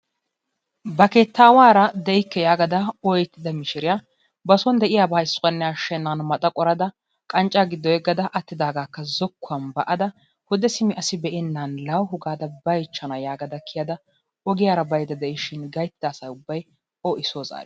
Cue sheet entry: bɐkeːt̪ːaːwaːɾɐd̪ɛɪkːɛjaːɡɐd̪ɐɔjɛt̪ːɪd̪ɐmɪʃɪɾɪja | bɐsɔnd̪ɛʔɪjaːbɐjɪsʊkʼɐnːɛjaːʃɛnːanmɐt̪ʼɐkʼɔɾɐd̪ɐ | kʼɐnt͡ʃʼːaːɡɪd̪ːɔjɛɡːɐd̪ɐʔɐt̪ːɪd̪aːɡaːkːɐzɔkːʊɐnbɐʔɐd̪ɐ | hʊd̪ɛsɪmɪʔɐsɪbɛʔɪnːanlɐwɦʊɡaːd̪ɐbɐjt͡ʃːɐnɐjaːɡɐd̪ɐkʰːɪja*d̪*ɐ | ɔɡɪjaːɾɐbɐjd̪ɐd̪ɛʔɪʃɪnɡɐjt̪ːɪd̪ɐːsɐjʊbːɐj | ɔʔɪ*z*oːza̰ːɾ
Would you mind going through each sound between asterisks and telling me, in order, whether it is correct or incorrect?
correct, incorrect: s

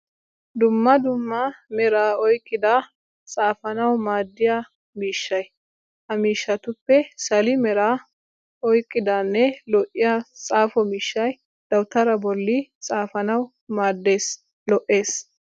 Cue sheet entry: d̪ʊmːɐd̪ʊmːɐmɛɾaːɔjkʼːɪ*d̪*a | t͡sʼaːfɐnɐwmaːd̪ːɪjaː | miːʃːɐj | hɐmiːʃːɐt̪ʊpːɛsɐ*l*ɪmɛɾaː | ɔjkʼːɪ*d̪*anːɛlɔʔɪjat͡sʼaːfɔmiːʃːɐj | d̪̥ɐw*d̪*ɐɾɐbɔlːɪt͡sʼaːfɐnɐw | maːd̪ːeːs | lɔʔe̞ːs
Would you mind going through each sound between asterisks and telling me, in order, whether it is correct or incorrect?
correct, correct, correct, incorrect: t̪

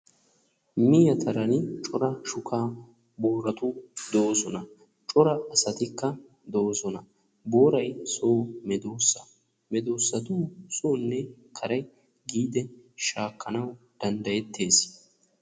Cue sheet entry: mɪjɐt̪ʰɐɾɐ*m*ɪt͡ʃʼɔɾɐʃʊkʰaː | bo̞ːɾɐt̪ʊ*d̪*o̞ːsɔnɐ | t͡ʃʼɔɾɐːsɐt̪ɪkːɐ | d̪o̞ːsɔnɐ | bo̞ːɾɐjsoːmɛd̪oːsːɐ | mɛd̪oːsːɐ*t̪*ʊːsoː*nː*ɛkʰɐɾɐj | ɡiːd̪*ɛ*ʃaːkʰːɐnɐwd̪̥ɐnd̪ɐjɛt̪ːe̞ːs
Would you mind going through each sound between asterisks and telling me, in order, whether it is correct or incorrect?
incorrect: n, correct, correct, correct, correct

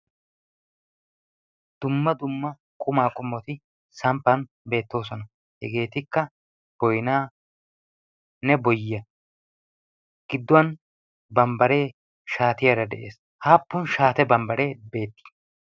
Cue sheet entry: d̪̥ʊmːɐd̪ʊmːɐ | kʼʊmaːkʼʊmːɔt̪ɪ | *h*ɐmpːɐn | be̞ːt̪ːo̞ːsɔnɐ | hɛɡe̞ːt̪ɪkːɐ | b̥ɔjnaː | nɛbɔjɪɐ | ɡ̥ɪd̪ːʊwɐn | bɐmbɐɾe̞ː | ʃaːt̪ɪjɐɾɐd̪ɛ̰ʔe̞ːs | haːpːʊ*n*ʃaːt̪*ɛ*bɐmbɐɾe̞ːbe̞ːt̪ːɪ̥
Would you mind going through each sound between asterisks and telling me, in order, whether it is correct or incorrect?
incorrect: s, correct, correct

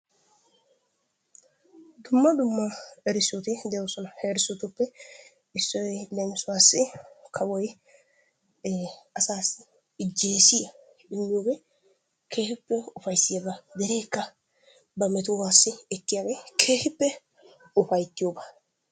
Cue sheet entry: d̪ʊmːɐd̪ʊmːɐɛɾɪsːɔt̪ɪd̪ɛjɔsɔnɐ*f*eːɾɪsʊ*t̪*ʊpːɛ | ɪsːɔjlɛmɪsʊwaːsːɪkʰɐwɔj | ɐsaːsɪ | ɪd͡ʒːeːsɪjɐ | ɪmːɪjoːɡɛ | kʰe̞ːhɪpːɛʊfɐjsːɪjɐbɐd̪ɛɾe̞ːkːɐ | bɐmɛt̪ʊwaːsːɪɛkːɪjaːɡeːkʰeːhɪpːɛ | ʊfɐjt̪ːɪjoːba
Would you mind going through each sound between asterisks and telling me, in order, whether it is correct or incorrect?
incorrect: h, correct

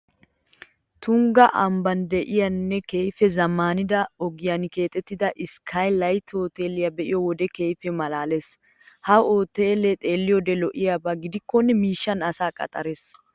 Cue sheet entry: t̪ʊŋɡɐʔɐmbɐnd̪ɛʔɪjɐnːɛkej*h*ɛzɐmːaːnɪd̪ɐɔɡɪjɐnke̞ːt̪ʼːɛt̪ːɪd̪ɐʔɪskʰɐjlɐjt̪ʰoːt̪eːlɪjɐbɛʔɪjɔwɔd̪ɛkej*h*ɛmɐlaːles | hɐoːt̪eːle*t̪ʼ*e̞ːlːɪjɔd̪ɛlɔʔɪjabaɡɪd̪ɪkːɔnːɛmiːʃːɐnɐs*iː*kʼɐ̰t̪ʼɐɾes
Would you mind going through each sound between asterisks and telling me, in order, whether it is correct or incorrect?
incorrect: f, incorrect: f, correct, incorrect: aː

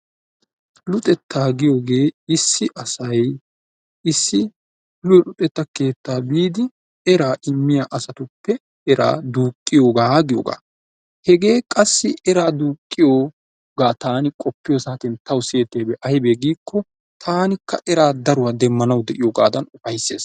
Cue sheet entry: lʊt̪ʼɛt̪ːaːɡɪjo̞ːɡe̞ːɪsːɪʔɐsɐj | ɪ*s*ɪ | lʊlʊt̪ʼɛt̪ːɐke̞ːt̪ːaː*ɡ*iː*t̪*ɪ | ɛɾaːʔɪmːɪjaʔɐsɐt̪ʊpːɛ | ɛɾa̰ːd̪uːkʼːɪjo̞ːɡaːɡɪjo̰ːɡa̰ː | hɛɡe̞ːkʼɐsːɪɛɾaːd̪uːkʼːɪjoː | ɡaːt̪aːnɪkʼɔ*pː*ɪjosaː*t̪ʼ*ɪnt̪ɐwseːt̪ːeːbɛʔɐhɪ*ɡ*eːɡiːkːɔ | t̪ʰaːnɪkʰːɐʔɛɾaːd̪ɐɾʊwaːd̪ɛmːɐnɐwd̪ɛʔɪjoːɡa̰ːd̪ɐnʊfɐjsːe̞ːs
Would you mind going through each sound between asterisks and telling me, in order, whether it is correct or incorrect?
incorrect: sː, incorrect: b, incorrect: d̪, correct, incorrect: t̪, incorrect: b

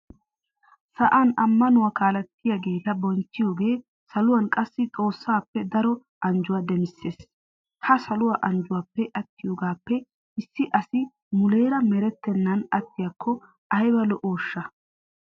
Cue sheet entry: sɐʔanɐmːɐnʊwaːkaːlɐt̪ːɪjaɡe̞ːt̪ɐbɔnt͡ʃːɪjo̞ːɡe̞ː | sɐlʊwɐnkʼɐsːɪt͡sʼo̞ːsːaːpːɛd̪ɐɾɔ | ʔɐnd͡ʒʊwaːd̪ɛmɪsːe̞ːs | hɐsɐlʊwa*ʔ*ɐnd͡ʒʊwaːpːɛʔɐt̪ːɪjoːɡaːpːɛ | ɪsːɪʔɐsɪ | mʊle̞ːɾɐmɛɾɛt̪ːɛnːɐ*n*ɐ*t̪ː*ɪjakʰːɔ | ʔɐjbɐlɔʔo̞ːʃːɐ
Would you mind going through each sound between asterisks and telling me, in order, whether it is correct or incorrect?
correct, correct, correct

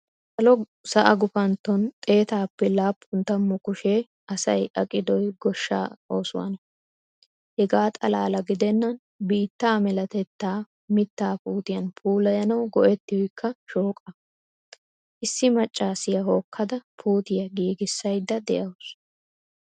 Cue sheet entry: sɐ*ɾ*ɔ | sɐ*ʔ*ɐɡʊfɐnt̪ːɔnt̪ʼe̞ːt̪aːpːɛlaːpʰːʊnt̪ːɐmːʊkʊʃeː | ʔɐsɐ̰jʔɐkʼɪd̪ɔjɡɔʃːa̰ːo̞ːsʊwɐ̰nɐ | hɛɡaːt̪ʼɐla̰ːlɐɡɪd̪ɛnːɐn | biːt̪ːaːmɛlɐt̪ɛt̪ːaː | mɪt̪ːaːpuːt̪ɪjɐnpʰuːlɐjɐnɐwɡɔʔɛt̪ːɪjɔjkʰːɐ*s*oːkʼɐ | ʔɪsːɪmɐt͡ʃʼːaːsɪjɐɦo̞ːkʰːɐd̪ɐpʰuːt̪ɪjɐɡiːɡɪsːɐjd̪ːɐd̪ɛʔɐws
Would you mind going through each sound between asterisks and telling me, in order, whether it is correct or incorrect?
incorrect: l, correct, incorrect: ʃ

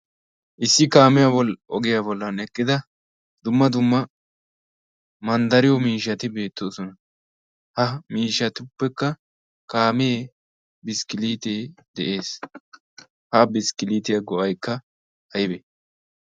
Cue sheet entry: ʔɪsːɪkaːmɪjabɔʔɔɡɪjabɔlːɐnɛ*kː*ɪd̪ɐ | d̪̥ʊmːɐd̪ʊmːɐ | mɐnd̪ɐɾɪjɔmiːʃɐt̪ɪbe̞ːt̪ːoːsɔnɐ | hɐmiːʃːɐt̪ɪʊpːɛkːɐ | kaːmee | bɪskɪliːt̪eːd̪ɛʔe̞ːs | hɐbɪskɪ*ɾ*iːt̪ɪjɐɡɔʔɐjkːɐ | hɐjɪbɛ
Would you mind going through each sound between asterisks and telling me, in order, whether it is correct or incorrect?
correct, incorrect: l

